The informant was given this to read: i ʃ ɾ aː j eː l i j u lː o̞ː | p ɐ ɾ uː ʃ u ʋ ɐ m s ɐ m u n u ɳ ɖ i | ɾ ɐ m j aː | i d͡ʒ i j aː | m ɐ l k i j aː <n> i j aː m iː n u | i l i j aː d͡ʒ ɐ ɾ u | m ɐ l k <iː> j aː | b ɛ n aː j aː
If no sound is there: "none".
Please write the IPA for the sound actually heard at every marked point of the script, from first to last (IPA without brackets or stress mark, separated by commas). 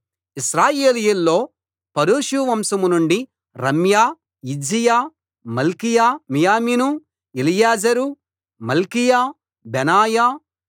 m, i